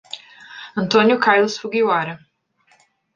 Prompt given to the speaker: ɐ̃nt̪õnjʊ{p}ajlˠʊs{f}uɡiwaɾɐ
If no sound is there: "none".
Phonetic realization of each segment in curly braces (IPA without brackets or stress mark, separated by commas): k, f